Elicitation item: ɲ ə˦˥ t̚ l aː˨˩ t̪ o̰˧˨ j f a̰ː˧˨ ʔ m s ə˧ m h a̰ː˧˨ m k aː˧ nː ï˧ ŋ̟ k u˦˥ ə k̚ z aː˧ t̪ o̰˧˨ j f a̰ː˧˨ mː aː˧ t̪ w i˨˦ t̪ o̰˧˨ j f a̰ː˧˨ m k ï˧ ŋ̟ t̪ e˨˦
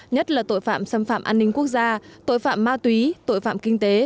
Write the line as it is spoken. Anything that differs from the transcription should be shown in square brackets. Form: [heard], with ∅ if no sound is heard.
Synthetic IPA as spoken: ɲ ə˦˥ t̚ l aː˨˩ t̪ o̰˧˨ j f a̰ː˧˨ [∅] m s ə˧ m [f] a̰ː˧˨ m [ʔ] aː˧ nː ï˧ ŋ̟ k u˦˥ ə k̚ z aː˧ t̪ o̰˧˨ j f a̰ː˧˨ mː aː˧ t̪ w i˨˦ t̪ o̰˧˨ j f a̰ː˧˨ m k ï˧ ŋ̟ t̪ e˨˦

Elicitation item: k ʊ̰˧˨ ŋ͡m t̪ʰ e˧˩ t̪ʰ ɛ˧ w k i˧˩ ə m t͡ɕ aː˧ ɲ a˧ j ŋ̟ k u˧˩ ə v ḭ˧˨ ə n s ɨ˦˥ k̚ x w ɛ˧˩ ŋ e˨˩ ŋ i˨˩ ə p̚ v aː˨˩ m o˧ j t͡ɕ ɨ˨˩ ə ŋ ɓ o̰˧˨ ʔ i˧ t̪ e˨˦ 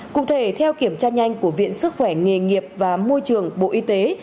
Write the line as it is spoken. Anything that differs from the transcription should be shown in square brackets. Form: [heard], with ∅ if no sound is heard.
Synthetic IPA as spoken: k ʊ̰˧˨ ŋ͡m t̪ʰ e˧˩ t̪ʰ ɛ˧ w k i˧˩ ə m t͡ɕ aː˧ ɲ a˧ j ŋ̟ k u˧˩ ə v ḭ˧˨ ə n s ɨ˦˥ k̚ x w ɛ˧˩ ŋ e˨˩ ŋ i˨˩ ə p̚ v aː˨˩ m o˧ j t͡ɕ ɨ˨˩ ə ŋ ɓ o̰˧˨ ʔ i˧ t̪ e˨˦

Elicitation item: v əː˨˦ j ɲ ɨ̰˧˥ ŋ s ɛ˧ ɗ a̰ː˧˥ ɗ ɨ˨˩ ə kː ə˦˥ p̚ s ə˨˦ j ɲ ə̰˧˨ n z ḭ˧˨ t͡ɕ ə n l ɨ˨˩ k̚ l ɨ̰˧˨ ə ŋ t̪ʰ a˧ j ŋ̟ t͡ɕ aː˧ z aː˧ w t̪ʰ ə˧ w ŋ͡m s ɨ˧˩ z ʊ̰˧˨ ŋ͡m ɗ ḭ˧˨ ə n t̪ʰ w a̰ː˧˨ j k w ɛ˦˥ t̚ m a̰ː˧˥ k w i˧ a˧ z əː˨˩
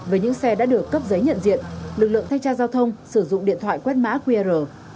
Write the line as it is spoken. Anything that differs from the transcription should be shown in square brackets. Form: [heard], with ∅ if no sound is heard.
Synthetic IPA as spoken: v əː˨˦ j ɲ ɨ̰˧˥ ŋ s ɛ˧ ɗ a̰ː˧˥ ɗ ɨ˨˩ ə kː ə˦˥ p̚ [z] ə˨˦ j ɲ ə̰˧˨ n z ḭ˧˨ [∅] ə n l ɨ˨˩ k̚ l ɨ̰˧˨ ə ŋ t̪ʰ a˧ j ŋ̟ t͡ɕ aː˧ z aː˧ w t̪ʰ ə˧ w ŋ͡m s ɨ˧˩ z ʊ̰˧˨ ŋ͡m ɗ ḭ˧˨ ə n t̪ʰ w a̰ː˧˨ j k w ɛ˦˥ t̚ m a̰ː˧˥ k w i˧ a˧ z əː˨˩

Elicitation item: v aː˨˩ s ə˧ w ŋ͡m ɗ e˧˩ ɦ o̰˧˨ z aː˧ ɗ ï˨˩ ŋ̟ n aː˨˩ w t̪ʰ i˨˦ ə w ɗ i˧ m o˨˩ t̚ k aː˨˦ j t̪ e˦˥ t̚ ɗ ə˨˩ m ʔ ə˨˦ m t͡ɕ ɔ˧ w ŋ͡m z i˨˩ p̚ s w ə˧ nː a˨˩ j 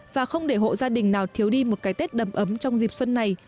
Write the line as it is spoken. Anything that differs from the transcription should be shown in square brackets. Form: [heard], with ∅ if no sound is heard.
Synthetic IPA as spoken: v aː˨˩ [x] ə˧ w ŋ͡m ɗ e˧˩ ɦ o̰˧˨ z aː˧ ɗ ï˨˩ ŋ̟ n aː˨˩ w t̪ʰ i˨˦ ə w ɗ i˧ m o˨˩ t̚ k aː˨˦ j t̪ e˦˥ t̚ ɗ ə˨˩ m ʔ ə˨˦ m t͡ɕ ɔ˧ w ŋ͡m z i˨˩ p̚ s w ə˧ nː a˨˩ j

